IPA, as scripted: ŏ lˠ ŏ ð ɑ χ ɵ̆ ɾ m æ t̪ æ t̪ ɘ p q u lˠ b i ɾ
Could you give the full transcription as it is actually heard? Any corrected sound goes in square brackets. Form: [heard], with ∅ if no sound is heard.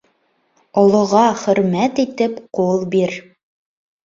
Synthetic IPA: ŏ lˠ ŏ [ʁ] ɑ χ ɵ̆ ɾ m æ t̪ [i] t̪ ɘ p q u lˠ b i ɾ